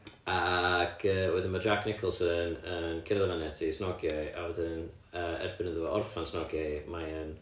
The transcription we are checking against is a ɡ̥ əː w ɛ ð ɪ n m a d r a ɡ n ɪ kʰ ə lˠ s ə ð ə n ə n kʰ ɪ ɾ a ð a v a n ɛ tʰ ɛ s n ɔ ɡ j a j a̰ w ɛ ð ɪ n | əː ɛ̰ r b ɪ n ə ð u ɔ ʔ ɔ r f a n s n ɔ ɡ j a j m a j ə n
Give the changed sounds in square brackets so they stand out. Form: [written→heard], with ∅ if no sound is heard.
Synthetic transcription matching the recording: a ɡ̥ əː w ɛ ð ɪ n m a d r a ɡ n ɪ kʰ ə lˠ s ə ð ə n ə n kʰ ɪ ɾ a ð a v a n ɛ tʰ [ɛ→i] s n ɔ ɡ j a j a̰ w ɛ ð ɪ n | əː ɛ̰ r b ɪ n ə ð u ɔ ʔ ɔ r f a n s n ɔ ɡ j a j m a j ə n